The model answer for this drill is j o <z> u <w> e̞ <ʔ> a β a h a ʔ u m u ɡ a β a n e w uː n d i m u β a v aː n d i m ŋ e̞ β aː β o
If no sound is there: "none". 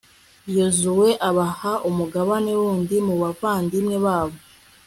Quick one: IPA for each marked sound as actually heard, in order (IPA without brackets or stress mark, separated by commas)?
z, w, ʔ